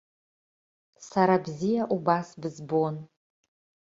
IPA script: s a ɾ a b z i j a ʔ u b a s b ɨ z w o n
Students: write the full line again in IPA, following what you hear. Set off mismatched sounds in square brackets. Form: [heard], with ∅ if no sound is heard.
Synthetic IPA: s a ɾ a b z i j a ʔ u b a s b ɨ z [b] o n